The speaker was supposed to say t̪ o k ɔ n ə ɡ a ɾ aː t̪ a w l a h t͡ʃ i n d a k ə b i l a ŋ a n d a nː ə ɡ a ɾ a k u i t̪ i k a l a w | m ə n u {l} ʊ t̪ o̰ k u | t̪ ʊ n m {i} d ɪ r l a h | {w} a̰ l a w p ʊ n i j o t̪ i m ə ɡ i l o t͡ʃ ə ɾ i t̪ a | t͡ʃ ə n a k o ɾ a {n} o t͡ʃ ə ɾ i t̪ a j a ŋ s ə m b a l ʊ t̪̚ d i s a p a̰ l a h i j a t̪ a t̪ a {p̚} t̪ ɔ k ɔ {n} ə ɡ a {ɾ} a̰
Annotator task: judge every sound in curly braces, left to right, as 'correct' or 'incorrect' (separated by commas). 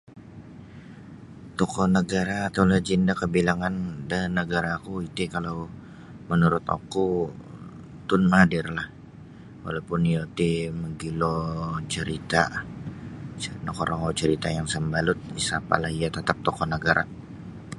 incorrect, incorrect, correct, incorrect, correct, correct, correct